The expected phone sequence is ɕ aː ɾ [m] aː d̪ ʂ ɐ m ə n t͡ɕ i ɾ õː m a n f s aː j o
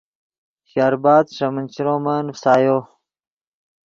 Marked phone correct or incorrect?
incorrect